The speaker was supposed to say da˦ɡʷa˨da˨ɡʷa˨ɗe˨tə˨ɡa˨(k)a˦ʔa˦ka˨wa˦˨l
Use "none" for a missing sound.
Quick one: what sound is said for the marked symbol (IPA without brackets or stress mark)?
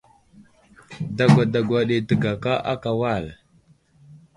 k